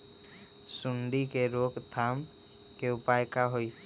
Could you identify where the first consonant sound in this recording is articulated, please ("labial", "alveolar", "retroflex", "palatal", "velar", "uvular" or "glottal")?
alveolar